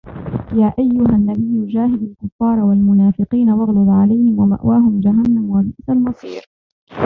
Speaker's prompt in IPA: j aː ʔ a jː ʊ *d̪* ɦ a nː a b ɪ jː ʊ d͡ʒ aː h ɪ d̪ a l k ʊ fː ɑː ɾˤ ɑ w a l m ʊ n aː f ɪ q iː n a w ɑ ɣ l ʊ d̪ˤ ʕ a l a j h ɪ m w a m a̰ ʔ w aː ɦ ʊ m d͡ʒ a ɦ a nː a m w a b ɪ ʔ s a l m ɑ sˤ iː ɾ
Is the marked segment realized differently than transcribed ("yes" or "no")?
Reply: yes